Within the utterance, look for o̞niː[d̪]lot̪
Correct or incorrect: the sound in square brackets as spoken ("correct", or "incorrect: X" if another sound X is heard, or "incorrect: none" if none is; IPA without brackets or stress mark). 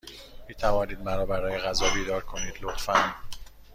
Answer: correct